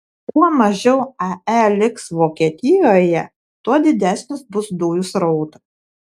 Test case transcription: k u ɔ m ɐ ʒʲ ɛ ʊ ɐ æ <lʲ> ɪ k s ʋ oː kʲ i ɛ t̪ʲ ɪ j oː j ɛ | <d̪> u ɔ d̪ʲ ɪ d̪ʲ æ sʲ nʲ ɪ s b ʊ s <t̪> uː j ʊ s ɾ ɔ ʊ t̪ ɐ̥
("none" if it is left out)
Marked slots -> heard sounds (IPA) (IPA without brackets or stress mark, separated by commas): lʲ, t̪, d̪